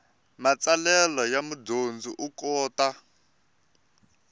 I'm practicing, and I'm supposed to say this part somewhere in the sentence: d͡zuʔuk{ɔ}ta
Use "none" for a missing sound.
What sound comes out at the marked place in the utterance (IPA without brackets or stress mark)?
ɔː